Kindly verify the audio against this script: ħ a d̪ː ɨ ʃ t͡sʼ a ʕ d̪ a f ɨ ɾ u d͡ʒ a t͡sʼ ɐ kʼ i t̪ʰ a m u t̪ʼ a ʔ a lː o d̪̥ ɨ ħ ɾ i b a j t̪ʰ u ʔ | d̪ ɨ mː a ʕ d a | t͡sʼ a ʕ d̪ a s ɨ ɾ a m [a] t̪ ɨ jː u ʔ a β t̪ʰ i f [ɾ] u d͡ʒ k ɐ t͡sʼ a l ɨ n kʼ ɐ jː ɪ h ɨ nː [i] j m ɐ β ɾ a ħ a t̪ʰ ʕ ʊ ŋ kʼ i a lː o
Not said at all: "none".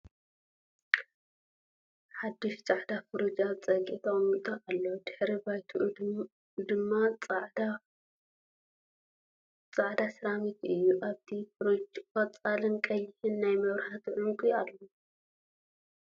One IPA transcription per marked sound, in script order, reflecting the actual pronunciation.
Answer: i, ɾ, a

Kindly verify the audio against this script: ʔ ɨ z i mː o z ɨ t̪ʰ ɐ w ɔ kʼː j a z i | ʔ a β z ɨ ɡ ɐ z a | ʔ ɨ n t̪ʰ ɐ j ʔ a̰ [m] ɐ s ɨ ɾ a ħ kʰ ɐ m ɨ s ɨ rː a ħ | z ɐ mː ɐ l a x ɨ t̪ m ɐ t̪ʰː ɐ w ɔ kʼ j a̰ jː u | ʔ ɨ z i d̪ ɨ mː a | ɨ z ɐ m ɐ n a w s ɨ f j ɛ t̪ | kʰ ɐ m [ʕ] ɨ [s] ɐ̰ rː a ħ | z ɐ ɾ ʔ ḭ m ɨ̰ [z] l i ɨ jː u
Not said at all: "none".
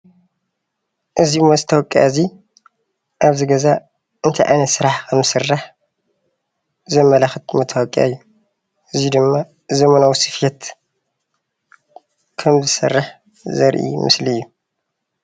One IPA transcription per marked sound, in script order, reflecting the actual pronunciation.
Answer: n, z, s, s

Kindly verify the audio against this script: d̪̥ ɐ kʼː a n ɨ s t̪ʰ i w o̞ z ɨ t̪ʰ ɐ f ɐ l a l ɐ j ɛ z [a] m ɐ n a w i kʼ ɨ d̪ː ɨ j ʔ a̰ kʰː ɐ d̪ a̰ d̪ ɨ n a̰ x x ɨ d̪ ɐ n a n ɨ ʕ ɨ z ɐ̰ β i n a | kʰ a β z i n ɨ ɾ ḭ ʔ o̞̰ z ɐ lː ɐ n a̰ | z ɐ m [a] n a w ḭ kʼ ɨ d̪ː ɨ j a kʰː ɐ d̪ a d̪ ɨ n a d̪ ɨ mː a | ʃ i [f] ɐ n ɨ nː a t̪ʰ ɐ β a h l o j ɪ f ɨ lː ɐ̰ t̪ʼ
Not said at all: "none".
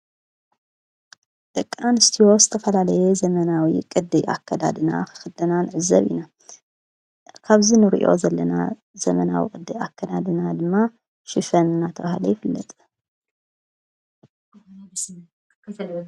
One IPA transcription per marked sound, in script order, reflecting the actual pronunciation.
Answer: ɐ, ɐ, f

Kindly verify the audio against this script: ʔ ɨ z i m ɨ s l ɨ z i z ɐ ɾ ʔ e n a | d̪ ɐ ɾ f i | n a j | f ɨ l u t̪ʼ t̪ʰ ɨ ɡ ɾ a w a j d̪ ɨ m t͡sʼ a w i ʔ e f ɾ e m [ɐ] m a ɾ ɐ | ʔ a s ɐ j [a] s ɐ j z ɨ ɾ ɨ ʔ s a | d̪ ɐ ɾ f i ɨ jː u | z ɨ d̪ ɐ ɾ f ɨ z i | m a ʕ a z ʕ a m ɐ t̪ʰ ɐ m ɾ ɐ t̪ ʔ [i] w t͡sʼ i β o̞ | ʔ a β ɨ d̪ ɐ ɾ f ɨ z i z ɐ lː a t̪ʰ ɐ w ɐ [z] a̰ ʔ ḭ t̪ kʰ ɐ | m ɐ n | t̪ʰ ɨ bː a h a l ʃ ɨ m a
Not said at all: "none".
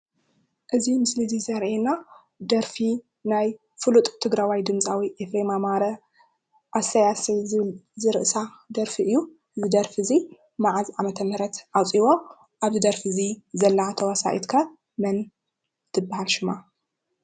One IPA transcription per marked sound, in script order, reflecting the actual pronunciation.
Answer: a, a, a, s

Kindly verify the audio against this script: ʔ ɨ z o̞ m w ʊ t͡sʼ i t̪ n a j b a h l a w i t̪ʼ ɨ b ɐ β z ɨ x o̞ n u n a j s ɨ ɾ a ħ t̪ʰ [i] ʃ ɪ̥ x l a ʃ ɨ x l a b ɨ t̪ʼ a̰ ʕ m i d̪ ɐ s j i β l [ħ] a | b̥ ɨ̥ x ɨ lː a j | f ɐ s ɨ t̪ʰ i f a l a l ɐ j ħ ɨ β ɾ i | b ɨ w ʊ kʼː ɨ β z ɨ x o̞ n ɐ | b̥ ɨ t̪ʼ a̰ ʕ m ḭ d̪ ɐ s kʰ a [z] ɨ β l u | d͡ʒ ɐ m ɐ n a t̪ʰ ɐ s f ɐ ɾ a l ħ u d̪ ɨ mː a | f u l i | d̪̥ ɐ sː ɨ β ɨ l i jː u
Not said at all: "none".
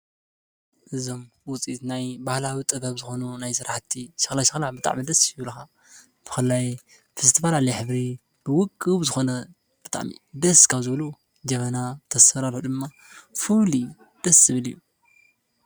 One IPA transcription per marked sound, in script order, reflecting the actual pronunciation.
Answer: i, x, z

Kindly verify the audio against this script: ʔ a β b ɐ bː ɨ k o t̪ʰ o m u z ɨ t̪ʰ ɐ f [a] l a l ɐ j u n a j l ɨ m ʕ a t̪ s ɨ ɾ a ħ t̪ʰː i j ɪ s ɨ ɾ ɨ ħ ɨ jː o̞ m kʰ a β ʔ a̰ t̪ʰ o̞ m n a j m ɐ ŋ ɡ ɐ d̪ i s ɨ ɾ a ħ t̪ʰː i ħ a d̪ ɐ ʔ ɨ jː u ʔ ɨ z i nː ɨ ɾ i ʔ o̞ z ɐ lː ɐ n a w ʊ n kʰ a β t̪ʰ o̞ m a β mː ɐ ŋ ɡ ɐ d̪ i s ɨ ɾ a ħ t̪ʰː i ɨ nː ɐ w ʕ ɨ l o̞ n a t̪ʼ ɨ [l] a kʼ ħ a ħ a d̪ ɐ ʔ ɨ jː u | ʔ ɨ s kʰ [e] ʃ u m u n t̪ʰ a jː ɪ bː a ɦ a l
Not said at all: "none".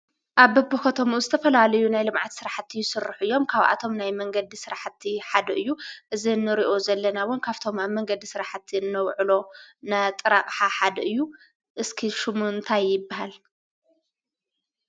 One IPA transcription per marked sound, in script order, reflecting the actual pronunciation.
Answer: ɐ, ɾ, i

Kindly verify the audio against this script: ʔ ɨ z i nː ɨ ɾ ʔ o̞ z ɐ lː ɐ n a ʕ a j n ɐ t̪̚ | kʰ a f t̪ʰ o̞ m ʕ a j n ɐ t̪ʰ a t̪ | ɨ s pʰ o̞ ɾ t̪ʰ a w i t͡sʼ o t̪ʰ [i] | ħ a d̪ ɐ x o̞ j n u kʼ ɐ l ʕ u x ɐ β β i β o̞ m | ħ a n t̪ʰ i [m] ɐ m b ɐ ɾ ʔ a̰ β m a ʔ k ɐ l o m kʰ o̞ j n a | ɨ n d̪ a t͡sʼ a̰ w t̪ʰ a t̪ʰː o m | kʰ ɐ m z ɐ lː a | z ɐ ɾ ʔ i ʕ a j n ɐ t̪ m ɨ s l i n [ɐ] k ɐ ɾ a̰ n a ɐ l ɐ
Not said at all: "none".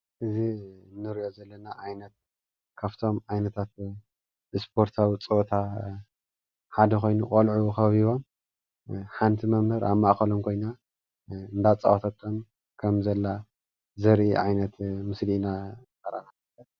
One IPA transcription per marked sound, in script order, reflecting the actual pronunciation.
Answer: a, m, a

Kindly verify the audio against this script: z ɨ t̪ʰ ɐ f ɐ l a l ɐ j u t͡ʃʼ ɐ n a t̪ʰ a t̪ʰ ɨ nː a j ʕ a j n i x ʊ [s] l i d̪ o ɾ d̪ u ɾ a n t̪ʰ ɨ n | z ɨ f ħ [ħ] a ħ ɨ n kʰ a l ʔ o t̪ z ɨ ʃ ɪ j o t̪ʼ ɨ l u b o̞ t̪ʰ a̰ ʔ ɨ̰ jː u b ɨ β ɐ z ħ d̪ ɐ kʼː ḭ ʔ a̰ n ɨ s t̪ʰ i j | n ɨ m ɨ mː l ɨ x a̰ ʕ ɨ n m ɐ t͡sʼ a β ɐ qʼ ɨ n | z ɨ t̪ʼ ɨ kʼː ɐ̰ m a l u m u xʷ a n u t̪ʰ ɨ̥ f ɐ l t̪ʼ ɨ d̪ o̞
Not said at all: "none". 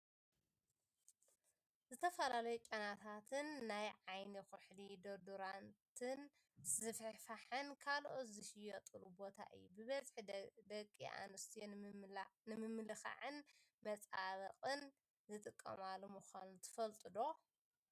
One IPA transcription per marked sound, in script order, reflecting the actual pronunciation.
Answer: ħ, f

